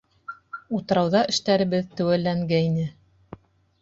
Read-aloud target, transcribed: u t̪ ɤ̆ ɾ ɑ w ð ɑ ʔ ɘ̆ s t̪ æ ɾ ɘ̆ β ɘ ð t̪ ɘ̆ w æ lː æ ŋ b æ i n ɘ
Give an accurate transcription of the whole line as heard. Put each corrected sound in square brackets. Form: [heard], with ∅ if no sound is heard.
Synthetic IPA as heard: u t̪ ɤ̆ ɾ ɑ w ð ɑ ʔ ɘ̆ [ʃ] t̪ æ ɾ ɘ̆ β ɘ ð t̪ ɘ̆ w æ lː æ ŋ [ɡ] æ i n ɘ

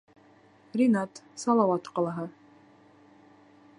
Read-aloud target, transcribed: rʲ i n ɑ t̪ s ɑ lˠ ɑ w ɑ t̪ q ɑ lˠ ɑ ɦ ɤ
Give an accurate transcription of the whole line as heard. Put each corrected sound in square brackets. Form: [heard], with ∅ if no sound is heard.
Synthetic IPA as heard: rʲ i n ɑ t̪ s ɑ lˠ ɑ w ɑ t̪ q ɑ lˠ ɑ ɦ ɤ

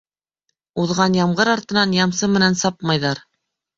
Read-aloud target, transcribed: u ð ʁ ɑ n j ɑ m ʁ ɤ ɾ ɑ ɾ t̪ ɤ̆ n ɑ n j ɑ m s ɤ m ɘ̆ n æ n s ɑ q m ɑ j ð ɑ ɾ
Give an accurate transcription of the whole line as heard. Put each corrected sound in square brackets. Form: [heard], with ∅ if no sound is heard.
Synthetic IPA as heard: u ð ʁ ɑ n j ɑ m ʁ ɤ ɾ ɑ ɾ t̪ ɤ̆ n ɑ n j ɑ m s ɤ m ɘ̆ n æ n s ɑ [p] m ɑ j ð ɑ ɾ

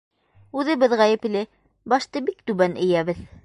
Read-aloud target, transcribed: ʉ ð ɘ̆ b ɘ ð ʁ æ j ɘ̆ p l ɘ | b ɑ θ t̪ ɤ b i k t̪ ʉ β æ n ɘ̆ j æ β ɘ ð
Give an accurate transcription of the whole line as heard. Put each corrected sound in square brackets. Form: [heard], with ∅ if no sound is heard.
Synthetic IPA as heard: ʉ ð ɘ̆ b ɘ ð ʁ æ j ɘ̆ p l ɘ | b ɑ [ʃ] t̪ ɤ b i k t̪ ʉ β æ n ɘ̆ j æ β ɘ ð

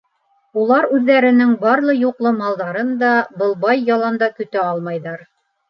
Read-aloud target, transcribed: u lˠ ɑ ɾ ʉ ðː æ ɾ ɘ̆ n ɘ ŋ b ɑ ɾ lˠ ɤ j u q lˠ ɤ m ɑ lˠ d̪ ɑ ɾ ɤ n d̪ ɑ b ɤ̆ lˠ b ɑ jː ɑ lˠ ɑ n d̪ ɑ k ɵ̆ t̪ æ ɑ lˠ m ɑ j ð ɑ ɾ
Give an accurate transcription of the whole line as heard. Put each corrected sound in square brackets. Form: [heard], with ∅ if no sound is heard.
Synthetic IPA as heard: u lˠ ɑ ɾ ʉ ðː æ ɾ ɘ̆ n ɘ ŋ b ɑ ɾ lˠ ɤ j u q lˠ ɤ m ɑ lˠ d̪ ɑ ɾ ɤ n d̪ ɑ b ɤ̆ lˠ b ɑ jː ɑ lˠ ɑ n d̪ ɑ k ɵ̆ t̪ æ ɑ lˠ m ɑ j ð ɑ ɾ

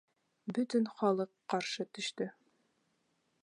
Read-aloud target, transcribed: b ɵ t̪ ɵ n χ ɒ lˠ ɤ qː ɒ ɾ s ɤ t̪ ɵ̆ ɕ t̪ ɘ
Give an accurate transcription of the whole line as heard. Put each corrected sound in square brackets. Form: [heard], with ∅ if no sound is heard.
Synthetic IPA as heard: b ɵ t̪ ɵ n χ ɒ lˠ ɤ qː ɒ ɾ [ʃ] ɤ t̪ ɵ̆ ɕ t̪ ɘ

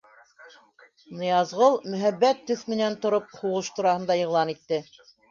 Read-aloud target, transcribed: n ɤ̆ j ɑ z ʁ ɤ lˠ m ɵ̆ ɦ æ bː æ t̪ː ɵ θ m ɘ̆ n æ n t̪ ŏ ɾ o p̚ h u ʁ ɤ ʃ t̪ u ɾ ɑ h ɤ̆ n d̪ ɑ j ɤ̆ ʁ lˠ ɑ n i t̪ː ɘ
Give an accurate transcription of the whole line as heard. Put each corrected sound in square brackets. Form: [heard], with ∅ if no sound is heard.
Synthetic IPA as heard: n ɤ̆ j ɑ z ʁ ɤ lˠ m ɵ̆ ɦ æ bː æ t̪ː ɵ θ m ɘ̆ n æ n t̪ ŏ ɾ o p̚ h u ʁ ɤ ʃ t̪ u ɾ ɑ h ɤ̆ n d̪ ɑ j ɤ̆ ʁ lˠ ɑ n i t̪ː ɘ

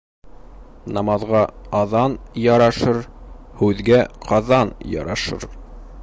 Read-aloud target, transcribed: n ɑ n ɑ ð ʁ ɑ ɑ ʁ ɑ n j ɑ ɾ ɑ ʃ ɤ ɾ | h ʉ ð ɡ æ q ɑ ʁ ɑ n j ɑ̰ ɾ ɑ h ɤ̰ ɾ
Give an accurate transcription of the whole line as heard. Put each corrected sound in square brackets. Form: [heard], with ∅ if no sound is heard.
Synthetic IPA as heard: n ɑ [m] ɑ ð ʁ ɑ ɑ [ð] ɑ n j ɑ ɾ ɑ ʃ ɤ ɾ | h ʉ ð ɡ æ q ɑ [ð] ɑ n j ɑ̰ ɾ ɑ [ʃ] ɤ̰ ɾ

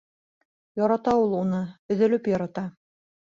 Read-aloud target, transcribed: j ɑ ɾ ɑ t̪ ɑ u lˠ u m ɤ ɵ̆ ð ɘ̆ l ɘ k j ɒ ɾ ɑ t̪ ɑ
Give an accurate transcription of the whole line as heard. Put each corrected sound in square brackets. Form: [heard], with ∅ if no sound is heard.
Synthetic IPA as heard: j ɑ ɾ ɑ t̪ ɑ u lˠ u [n] ɤ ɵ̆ ð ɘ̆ l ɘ [p] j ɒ ɾ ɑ t̪ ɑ

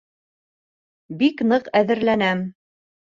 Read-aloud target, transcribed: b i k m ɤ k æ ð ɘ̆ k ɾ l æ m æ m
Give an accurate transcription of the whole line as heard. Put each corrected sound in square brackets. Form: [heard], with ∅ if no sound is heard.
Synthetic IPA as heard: b i k [n] ɤ [q] æ ð ɘ̆ [∅] ɾ l æ [n] æ m

